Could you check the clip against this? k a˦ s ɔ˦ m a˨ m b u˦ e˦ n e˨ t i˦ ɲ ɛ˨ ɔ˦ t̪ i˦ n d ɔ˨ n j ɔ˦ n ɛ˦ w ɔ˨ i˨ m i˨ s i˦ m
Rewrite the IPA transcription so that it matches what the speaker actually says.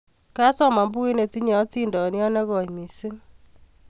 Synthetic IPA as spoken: k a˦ s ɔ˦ m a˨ m b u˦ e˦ n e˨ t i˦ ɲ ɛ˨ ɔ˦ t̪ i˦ n d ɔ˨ n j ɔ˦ n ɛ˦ ɣ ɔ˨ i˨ m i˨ s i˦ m